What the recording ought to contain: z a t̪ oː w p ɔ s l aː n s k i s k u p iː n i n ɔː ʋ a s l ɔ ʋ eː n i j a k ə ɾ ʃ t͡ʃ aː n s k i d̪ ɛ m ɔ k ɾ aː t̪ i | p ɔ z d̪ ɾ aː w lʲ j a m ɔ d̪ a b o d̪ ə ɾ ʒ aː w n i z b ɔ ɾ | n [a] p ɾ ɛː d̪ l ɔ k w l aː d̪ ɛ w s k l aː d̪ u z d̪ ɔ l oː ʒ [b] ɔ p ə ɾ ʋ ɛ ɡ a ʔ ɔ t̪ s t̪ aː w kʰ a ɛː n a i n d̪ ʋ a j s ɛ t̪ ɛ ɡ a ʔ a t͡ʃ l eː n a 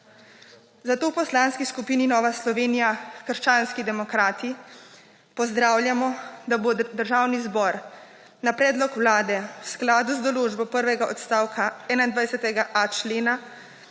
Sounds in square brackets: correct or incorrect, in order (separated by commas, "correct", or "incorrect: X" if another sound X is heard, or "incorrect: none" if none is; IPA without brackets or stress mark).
correct, correct